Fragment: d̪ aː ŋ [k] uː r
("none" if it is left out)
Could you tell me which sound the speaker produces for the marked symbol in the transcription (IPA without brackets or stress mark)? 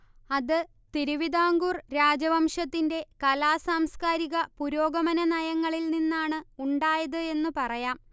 ɡ